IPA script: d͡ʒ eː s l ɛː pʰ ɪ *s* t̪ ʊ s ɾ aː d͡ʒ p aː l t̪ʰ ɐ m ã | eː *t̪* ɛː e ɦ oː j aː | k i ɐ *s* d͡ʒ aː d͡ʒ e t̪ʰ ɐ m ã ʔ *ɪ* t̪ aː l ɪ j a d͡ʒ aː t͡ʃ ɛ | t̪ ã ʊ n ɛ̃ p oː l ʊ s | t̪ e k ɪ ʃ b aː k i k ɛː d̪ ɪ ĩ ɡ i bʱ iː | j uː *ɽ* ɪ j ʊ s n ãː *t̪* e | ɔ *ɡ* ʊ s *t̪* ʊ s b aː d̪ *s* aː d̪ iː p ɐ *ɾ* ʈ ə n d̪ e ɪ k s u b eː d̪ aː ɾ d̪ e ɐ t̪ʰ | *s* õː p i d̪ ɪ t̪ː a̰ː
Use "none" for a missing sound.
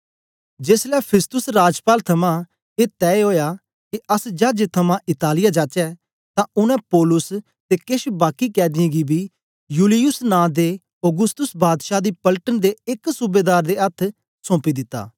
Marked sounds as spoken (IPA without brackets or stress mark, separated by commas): s, t̪, s, ɪ, l, d̪, ɡ, t̪, ʃ, l, s